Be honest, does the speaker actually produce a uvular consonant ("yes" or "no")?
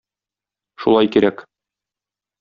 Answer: no